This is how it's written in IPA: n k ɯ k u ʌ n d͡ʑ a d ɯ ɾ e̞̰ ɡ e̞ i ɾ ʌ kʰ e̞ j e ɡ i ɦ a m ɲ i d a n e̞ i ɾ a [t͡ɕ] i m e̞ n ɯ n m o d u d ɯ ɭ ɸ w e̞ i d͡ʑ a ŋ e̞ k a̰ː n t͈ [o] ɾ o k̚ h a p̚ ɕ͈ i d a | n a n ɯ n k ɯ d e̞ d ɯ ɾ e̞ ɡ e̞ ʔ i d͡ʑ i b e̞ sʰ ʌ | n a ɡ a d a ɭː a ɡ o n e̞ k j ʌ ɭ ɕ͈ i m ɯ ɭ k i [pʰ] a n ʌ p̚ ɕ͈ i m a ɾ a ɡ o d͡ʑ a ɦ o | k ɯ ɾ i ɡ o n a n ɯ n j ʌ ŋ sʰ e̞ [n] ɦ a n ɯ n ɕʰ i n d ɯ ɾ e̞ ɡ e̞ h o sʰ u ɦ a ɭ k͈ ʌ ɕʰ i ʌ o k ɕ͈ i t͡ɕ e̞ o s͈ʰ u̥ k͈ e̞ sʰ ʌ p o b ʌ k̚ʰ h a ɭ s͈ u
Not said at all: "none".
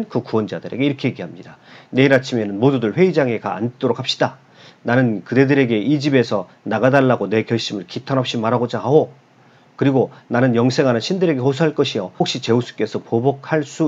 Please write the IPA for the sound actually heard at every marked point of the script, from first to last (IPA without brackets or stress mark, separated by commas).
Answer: t͡ɕʰ, o, tʰ, ŋ